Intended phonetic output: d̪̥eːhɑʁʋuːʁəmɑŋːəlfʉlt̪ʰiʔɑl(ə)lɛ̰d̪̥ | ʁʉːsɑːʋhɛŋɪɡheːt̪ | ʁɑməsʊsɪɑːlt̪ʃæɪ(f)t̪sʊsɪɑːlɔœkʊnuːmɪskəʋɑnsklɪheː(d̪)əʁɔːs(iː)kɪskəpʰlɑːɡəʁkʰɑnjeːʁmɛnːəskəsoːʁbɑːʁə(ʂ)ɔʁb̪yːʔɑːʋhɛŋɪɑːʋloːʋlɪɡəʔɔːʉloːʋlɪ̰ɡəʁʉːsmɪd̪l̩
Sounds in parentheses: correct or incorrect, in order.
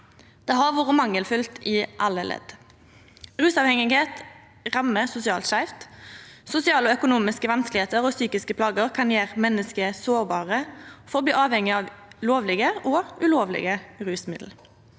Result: correct, correct, incorrect, incorrect, incorrect

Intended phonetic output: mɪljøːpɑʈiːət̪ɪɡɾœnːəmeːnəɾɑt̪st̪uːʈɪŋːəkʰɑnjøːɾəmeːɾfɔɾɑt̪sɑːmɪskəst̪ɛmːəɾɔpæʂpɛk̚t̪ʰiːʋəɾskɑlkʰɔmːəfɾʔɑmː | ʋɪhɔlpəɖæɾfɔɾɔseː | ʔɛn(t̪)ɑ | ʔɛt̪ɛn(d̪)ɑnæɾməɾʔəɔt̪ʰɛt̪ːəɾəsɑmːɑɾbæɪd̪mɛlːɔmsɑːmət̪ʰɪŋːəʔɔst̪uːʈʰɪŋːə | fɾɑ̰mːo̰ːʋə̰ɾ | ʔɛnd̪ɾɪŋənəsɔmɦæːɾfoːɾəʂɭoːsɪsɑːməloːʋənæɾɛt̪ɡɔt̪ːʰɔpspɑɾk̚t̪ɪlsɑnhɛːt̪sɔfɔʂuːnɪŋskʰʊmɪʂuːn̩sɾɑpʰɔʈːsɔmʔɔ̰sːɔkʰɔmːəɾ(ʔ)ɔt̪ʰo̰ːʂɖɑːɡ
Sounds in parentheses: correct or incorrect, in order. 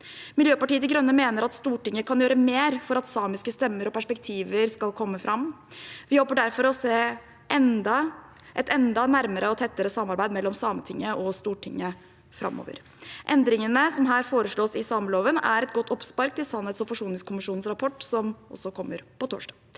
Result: incorrect, correct, incorrect

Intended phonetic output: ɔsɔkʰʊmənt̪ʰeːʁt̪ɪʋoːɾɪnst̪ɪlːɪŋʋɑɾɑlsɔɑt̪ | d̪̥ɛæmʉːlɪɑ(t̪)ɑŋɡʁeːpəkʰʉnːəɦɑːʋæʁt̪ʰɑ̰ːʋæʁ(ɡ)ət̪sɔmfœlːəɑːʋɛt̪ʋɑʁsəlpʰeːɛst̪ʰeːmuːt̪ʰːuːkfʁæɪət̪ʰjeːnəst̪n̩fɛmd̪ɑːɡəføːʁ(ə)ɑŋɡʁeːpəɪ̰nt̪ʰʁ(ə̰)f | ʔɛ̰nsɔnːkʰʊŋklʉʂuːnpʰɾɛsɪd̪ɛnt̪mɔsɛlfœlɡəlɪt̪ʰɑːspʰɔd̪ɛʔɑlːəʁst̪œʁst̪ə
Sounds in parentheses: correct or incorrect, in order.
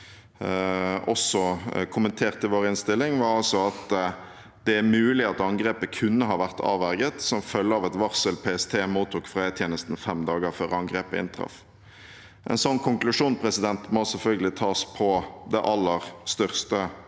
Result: correct, correct, correct, incorrect

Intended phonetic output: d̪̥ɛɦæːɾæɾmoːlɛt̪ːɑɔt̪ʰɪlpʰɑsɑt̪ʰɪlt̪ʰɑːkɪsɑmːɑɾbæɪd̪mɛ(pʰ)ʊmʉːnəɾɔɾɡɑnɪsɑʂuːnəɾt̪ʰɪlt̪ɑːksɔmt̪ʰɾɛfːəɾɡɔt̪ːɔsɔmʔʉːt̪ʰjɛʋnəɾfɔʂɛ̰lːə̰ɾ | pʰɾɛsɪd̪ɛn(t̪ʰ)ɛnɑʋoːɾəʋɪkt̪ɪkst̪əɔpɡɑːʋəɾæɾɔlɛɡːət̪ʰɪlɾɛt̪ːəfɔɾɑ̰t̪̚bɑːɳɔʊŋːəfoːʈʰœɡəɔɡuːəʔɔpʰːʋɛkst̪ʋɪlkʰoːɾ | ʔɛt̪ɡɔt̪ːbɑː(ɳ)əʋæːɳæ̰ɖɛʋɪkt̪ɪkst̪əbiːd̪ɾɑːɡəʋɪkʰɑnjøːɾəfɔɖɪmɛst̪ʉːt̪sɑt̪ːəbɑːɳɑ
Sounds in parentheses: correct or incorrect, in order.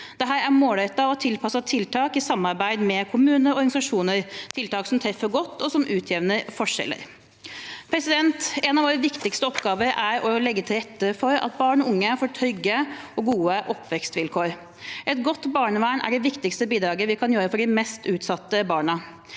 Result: incorrect, incorrect, correct

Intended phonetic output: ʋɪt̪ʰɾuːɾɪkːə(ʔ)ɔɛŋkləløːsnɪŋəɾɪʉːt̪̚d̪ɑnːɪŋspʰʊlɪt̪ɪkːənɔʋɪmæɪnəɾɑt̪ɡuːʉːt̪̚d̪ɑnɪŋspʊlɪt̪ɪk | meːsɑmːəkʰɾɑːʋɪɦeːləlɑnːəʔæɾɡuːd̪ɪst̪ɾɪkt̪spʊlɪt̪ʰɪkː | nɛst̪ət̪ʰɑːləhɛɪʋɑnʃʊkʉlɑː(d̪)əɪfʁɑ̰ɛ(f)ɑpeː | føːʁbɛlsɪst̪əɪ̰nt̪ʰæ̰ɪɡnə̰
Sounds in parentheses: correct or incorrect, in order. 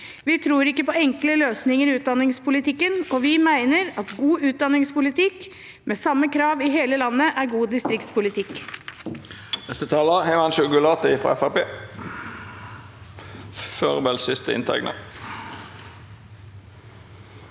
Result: incorrect, incorrect, correct

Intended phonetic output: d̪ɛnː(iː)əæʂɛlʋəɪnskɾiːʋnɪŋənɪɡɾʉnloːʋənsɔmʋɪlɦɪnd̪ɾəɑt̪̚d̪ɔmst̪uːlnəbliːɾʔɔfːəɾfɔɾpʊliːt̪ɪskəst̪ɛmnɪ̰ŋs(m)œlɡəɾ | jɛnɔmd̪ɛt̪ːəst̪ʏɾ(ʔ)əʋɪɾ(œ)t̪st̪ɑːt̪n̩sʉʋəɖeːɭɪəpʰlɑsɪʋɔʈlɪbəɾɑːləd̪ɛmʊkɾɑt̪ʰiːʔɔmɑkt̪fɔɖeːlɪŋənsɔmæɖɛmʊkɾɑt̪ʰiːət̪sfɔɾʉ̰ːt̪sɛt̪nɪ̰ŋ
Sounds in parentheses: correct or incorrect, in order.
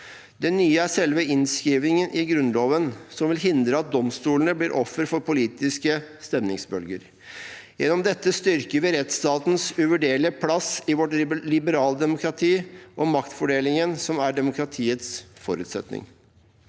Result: incorrect, incorrect, incorrect, incorrect

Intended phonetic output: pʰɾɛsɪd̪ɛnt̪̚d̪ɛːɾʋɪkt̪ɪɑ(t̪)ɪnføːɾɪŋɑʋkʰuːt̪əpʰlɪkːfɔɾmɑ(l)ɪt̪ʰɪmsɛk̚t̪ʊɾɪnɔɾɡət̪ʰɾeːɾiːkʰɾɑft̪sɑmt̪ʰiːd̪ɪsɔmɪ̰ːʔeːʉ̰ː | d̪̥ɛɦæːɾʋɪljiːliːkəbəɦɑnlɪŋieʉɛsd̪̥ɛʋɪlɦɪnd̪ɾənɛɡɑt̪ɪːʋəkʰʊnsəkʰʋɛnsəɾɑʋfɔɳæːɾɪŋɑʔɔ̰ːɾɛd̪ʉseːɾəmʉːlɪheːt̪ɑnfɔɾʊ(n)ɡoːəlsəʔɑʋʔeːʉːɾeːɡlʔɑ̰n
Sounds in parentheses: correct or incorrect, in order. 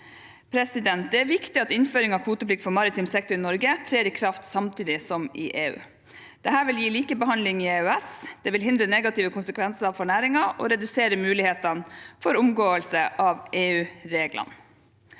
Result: correct, incorrect, incorrect

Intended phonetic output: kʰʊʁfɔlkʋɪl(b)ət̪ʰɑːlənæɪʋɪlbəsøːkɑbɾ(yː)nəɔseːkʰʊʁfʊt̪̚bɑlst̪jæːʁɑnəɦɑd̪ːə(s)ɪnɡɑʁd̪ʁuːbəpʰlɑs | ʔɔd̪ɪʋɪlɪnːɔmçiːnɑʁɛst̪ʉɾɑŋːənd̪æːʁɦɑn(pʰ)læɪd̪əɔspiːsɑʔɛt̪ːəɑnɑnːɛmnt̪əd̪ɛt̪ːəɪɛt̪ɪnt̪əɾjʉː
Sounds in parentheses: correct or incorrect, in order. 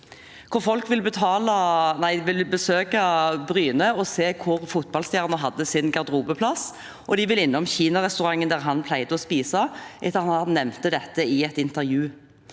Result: correct, correct, correct, correct

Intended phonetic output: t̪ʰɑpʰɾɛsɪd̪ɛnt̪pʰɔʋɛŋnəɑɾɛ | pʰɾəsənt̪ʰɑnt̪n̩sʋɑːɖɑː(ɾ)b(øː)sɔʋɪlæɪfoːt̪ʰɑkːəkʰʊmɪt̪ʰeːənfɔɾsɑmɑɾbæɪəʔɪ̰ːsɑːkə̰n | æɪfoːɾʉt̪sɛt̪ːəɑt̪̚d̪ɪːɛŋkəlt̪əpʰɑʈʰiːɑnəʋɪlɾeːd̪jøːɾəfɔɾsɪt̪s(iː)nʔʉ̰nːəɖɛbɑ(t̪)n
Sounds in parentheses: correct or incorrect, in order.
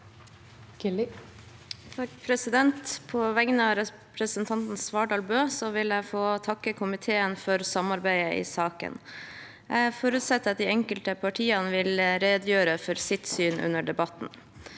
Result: incorrect, correct, incorrect, correct

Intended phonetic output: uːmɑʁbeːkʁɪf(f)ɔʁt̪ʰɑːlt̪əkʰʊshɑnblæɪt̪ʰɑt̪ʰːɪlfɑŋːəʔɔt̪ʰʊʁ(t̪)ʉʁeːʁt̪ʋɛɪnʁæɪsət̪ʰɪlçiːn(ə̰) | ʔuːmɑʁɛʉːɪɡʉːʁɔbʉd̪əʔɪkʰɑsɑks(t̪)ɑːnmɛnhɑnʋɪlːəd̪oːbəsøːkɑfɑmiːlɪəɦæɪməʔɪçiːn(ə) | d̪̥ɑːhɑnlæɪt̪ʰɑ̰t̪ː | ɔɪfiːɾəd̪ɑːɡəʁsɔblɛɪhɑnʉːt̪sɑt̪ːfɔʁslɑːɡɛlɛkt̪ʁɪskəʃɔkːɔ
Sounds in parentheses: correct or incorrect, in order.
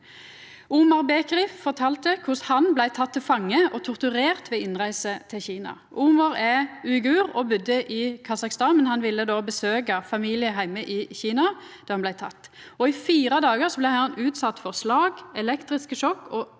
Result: correct, correct, incorrect, correct, incorrect

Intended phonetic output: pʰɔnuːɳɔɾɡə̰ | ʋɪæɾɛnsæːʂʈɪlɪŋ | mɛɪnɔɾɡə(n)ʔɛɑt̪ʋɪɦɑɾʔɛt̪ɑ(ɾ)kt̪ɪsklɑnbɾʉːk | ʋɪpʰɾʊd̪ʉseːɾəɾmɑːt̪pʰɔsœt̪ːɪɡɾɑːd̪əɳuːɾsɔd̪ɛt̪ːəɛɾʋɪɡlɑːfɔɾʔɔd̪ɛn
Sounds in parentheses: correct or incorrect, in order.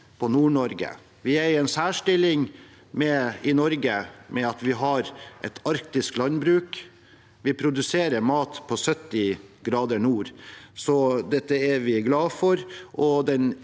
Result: incorrect, correct

